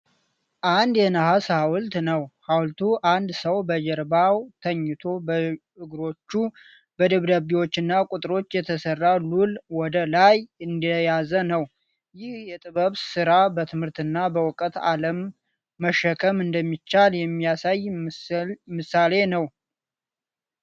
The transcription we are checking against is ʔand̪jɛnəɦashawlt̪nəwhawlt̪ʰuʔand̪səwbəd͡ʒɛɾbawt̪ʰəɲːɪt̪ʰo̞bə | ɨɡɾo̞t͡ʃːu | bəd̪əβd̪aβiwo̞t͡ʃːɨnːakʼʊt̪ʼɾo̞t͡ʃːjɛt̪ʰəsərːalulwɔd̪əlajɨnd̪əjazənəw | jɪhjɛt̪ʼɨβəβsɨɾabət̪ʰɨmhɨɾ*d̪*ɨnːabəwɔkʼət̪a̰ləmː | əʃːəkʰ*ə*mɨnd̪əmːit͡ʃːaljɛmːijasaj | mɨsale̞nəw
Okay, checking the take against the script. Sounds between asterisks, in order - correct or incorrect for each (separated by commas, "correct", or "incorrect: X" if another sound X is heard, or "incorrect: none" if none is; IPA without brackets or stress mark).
incorrect: t̪, correct